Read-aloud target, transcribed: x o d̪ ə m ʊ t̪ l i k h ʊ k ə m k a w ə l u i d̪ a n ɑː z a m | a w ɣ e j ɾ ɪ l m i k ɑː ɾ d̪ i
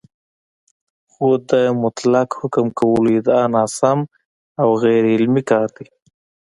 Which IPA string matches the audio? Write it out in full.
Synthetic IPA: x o d̪ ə m ʊ t̪ l a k h ʊ k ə m k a w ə l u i d̪ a n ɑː s a m | a w ɣ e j ɾ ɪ l m i k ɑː ɾ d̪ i